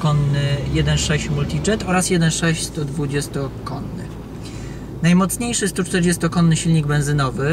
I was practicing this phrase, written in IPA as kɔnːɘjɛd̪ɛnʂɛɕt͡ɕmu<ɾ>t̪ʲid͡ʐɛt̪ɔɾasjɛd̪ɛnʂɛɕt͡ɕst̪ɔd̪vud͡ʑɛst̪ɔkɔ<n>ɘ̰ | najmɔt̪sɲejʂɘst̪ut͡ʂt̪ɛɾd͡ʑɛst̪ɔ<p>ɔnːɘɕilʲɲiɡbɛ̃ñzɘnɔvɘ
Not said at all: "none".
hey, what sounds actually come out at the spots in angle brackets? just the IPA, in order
l, nː, k

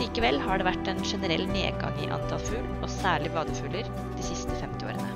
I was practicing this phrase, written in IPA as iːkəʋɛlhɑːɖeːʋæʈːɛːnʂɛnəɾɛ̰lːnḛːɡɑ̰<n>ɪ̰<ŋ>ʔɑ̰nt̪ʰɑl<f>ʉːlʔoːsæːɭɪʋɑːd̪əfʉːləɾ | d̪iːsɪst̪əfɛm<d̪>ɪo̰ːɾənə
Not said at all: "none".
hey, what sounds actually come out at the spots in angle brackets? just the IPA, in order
ŋ, none, f, t̪

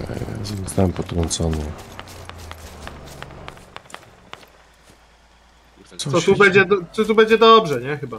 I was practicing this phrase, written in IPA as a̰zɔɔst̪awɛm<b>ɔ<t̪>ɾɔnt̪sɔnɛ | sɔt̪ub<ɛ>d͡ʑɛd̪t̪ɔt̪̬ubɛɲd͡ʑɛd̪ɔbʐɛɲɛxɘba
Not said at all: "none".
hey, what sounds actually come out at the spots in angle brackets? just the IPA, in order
p, t̪, ɛ

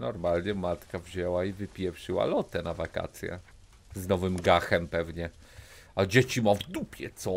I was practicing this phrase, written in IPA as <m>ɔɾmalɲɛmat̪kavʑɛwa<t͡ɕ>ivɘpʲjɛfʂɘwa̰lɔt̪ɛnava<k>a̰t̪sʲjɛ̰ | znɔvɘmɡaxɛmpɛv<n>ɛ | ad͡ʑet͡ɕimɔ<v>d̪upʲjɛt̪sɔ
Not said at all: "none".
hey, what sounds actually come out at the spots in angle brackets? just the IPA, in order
n, none, k, ɲ, v

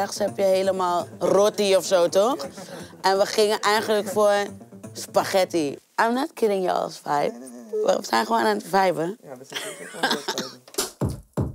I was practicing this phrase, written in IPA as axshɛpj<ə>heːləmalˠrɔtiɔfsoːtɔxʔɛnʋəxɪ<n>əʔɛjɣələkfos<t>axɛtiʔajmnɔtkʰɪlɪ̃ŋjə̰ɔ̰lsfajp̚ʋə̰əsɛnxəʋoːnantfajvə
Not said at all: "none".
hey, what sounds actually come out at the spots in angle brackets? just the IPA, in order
ə, ŋ, p

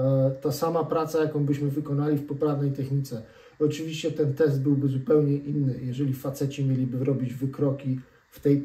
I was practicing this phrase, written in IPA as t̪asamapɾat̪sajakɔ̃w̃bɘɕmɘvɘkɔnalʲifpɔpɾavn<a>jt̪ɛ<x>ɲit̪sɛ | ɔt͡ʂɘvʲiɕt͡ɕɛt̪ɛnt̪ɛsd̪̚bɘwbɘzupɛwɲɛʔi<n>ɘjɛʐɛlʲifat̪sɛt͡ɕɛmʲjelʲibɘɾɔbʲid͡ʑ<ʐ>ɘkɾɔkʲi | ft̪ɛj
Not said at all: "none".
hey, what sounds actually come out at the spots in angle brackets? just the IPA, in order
ɛ, x, nː, v

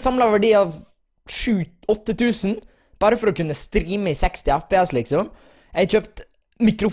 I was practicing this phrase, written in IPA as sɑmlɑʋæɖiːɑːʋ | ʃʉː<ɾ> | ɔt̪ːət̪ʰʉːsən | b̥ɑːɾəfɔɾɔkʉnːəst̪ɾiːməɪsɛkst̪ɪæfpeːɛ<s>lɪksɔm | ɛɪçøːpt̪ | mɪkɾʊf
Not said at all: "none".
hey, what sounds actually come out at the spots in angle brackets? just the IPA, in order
none, s

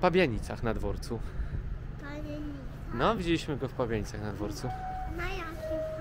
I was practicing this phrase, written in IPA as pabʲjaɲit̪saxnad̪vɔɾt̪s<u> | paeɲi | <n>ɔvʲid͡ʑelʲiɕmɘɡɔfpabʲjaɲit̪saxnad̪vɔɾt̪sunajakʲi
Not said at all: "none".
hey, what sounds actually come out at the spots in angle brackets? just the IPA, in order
u, n

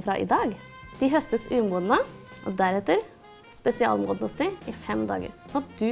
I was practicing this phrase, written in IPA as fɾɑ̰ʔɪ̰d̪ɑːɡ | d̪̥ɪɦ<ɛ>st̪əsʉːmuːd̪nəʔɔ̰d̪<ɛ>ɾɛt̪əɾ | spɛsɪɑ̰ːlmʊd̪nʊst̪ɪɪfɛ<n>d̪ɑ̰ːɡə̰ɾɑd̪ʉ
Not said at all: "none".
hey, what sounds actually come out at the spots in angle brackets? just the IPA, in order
œ, æ, m

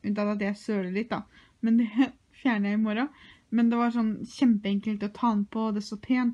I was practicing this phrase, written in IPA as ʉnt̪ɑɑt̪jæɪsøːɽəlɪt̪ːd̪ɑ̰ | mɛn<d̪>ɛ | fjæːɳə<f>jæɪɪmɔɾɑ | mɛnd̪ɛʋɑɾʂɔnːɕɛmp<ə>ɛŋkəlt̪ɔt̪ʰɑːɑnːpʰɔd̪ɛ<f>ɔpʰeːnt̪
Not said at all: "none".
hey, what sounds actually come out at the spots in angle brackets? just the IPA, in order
d̪, none, ə, s

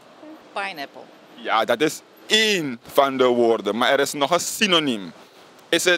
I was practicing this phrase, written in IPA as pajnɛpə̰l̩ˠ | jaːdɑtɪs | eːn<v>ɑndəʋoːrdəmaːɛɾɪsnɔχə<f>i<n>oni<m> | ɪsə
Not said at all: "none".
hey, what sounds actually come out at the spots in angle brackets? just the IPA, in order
f, s, n, m

